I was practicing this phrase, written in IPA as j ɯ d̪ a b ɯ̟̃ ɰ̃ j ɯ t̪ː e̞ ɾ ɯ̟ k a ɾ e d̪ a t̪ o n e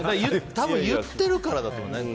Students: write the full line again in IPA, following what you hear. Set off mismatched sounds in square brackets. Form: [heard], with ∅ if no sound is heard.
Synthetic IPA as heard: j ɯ [t̪] a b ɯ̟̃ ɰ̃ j ɯ t̪ː e̞ ɾ ɯ̟ k a ɾ [a] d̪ a t̪ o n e

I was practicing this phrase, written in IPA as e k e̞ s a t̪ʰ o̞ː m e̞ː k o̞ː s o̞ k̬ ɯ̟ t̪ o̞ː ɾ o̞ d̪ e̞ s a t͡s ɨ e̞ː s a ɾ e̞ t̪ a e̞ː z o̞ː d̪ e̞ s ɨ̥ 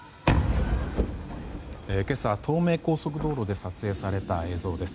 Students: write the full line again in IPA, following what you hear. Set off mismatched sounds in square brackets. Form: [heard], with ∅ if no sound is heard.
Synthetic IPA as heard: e k e̞ s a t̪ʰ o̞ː m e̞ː k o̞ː s o̞ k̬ ɯ̟ [d̪] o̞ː ɾ o̞ d̪ e̞ s a t͡s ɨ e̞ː s a ɾ e̞ t̪ a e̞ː z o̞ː d̪ e̞ s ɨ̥

